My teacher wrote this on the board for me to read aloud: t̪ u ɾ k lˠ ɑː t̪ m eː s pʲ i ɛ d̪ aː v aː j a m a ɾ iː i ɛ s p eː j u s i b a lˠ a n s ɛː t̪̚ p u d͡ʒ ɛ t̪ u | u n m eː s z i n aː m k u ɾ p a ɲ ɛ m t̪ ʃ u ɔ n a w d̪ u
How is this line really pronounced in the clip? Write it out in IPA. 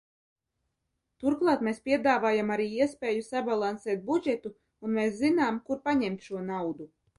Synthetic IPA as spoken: t̪ u ɾ k lˠ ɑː t̪ m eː s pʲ i ɛ d̪ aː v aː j a m a ɾ iː i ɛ s p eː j u s a b a lˠ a n s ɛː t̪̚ b u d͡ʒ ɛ t̪ u | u n m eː s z i n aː m k u ɾ p a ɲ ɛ m t̪ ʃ u ɔ n a w d̪ u

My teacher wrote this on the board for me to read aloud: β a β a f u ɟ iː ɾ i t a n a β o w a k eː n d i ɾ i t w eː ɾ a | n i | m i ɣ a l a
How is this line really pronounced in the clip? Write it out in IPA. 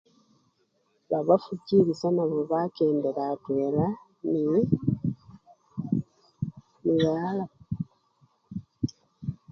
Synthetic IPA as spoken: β a β a f u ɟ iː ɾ i s a n a β o β a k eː n d e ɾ a t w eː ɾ a | n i | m i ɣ a l a

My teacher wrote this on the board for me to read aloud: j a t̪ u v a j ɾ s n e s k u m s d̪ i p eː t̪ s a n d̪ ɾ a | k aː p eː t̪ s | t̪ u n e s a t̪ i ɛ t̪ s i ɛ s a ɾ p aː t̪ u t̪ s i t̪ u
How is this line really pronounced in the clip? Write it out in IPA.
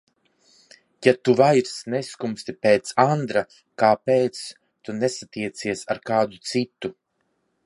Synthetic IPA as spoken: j a t̪ u v a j ɾ s n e s k u m s t̪ i p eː t̪ s a n d̪ ɾ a | k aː p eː t̪ s | t̪ u n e s a t̪ i ɛ t̪ s i ɛ s a ɾ k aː d̪ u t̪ s i t̪ u

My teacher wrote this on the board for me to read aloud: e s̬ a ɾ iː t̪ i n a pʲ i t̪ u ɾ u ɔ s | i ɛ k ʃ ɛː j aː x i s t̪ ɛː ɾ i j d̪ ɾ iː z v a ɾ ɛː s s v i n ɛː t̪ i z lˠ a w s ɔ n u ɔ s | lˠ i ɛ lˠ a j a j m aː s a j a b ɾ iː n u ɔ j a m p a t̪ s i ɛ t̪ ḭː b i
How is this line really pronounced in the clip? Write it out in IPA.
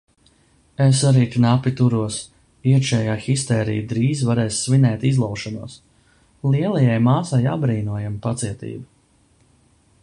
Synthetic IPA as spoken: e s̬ a ɾ iː t̪ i n a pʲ i t̪ u ɾ u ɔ s | i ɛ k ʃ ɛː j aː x i s t̪ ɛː ɾ i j d̪ ɾ iː z v a ɾ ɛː s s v i n ɛː t̪ i z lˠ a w ʃ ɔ n u ɔ s | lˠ i ɛ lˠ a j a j m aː s a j a b ɾ iː n u ɔ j a m p a t̪ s i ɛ t̪ ḭː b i

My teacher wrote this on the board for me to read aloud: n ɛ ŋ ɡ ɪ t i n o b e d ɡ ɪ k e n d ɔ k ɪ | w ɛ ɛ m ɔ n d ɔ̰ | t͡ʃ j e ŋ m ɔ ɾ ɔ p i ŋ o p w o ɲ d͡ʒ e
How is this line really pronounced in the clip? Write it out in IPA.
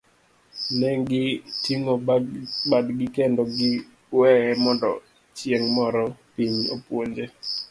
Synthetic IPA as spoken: n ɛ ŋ ɡ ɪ t i ŋ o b a d ɡ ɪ k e n d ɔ ɡ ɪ | w ɛ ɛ m ɔ n d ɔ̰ | t͡ʃ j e ŋ m ɔ ɾ ɔ p i ɲ o p w o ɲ d͡ʒ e

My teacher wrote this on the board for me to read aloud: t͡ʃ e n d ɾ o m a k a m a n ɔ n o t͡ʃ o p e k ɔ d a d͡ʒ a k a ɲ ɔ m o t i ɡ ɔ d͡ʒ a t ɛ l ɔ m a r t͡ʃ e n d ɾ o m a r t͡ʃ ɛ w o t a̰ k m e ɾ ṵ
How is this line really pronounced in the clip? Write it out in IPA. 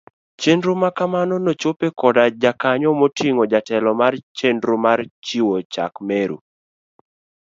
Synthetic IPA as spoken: t͡ʃ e n d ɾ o m a k a m a n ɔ n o t͡ʃ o p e k ɔ d a d͡ʒ a k a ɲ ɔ m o t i ŋ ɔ d͡ʒ a t ɛ l ɔ m a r t͡ʃ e n d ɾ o m a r t͡ʃ i w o t͡ʃ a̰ k m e ɾ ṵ

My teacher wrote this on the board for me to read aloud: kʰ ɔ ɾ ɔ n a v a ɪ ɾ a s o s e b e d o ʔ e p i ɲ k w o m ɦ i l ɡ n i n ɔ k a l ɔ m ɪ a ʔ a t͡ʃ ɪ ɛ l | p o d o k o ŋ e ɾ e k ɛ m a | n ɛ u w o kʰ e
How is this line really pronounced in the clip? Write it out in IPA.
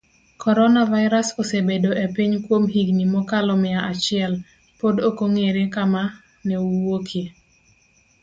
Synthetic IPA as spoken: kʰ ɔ ɾ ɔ n a v a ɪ ɾ a s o s e b e d o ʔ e p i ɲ k w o m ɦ i ɡ n i m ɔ k a l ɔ m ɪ a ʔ a t͡ʃ ɪ ɛ l | p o d o k o ŋ e ɾ e k a m a | n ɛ u w o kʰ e

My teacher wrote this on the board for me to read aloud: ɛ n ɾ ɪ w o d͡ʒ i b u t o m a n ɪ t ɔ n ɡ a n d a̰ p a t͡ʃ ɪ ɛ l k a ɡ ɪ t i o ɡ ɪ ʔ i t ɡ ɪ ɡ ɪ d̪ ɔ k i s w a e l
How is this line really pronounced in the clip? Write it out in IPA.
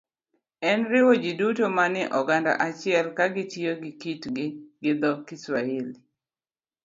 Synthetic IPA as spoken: ɛ n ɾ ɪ w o d͡ʒ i d u t o m a n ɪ ʔ ɔ ɡ a n d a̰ ʔ a t͡ʃ ɪ ɛ l k a ɡ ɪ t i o ɡ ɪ k i t ɡ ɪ ɡ ɪ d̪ ɔ k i s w a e l

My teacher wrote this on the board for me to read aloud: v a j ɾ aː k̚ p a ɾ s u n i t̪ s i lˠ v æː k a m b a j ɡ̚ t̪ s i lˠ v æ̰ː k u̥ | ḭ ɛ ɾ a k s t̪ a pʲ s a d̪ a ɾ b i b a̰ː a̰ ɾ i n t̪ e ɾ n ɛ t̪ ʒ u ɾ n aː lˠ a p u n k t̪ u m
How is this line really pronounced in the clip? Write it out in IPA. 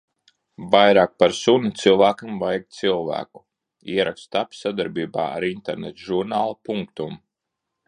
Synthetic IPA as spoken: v a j ɾ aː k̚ p a ɾ s u n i t̪ s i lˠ v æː k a m v a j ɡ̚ t̪ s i lˠ v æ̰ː k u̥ | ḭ ɛ ɾ a k s t̪ a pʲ s a d̪ a ɾ b iː b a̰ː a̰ ɾ i n t̪ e ɾ n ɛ t̪ ʒ u ɾ n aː lˠ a p u ŋ k t̪ u m

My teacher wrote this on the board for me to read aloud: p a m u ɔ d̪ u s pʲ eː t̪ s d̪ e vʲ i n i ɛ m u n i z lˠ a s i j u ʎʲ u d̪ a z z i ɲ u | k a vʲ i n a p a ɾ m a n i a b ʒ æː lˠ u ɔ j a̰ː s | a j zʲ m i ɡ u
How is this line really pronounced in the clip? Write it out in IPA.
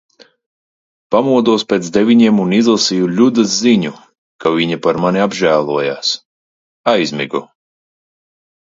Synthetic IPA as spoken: p a m u ɔ d̪ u s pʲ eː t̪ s d̪ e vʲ i ɲ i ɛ m u n i z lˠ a s i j u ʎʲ u d̪ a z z i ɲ u | k a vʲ i ɲ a p a ɾ m a n i a b ʒ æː lˠ u ɔ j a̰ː s | a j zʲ m i ɡ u

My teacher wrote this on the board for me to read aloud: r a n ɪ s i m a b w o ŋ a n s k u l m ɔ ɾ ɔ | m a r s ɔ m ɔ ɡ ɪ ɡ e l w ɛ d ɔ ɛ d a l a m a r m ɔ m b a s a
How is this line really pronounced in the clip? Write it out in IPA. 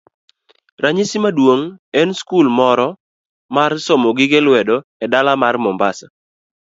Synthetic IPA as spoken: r a ɲ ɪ s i m a d w o ŋ ɛ n s k u l m ɔ ɾ ɔ | m a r s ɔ m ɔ ɡ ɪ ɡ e l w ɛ d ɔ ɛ d a l a m a r m ɔ m b a s a

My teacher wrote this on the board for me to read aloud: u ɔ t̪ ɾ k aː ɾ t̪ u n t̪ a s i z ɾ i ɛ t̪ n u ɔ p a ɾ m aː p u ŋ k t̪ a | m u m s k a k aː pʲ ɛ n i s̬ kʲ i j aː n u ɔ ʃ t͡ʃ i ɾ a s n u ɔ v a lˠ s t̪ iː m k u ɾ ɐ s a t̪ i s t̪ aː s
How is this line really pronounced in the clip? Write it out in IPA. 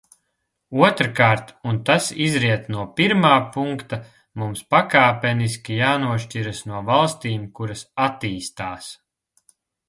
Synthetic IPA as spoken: u ɔ t̪ ɾ k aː ɾ t̪ u n t̪ a s i z ɾ i ɛ t̪ n u ɔ p i ɾ m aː p u ŋ k t̪ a | m u m s p a k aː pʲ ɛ n i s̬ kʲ i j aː n u ɔ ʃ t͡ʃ i ɾ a s n u ɔ v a lˠ s t̪ iː m k u ɾ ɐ s a t̪ iː s t̪ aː s

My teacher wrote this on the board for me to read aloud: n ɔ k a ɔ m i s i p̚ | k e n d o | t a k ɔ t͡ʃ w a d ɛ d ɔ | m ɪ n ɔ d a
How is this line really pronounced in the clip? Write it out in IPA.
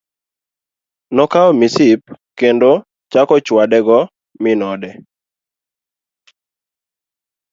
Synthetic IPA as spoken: n ɔ k a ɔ m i s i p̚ | k e n d o | t͡ʃ a k ɔ t͡ʃ w a d ɛ ɡ ɔ | m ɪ n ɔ d ɛ

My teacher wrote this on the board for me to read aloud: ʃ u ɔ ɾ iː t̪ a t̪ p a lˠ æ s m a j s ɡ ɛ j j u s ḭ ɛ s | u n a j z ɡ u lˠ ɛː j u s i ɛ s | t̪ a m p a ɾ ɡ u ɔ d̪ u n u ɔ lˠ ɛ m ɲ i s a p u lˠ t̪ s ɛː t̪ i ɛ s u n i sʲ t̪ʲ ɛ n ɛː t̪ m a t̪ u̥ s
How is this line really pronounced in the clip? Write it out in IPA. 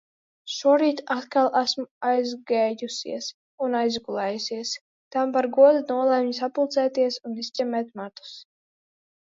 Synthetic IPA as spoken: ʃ u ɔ ɾ iː t̪ a t̪ k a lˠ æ s m a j z ɡ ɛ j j u s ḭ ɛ s | u n a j z ɡ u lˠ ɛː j u s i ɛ s | t̪ a m p a ɾ ɡ u ɔ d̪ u n u ɔ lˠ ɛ m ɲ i s a p u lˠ t̪ s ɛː t̪ i ɛ s u n i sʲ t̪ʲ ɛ m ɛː t̪ m a t̪ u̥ s

